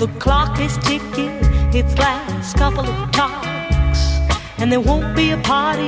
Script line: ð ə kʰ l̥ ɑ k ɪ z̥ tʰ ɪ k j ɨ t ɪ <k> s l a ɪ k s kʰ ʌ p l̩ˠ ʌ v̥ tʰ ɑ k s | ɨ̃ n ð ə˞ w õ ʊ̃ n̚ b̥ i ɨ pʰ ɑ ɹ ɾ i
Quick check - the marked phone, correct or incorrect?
incorrect